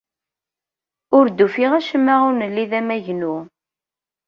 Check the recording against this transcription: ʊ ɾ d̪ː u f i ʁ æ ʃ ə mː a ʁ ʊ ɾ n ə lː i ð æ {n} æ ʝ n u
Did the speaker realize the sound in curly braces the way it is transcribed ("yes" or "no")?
no